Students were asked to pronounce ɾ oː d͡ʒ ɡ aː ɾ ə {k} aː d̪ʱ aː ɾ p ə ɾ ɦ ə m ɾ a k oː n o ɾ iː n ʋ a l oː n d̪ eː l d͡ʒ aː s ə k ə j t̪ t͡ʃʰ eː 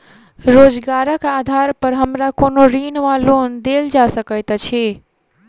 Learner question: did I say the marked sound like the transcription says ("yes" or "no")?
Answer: yes